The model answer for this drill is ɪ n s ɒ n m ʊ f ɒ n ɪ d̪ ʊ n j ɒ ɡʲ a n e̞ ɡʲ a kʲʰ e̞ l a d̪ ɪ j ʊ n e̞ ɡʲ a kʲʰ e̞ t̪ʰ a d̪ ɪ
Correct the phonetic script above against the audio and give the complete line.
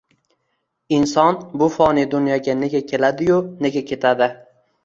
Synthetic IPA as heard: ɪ n s ɒ n b ʊ f ɒ n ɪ d̪ ʊ n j ɒ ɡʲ a n e̞ ɡʲ a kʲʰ e̞ l a d̪ ɪ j ʊ n e̞ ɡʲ a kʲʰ e̞ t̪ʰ a d̪ ɪ

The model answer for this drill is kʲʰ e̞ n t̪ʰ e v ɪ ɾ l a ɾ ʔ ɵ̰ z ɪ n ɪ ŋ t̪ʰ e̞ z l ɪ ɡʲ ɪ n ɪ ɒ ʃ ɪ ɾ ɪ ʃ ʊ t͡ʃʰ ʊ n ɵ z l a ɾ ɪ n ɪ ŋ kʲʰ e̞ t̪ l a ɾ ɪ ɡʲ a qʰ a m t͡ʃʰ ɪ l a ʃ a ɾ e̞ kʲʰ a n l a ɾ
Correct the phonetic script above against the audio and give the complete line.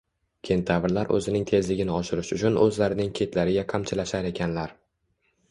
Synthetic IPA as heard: kʲʰ e̞ n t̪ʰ a v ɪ ɾ l a ɾ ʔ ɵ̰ z ɪ n ɪ ŋ t̪ʰ e̞ z l ɪ ɡʲ ɪ n ɪ ɒ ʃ ɪ ɾ ɪ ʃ ʊ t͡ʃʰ ʊ n ɵ z l a ɾ ɪ n ɪ ŋ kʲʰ e̞ t̪ l a ɾ ɪ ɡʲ a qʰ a m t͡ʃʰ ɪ l a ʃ a ɾ e̞ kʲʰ a n l a ɾ

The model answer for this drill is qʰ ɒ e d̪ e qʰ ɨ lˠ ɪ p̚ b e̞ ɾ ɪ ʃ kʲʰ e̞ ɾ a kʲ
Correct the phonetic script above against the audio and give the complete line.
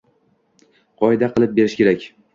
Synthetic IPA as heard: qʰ ɒ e d̪ a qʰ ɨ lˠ ɪ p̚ b e̞ ɾ ɪ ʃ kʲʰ e̞ ɾ a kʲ

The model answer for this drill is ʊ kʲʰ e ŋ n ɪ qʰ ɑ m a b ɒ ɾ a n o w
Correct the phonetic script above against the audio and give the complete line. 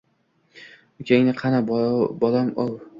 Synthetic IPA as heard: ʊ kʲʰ e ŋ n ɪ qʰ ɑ n a b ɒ l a m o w

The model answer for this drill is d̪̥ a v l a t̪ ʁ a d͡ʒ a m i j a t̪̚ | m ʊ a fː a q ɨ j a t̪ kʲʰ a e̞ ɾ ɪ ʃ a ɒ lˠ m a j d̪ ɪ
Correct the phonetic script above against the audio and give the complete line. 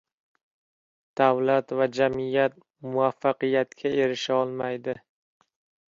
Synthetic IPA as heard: d̪̥ a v l a t̪ v a d͡ʒ a m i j a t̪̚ | m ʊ a fː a q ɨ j a t̪ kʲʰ a e̞ ɾ ɪ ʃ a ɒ lˠ m a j d̪ ɪ

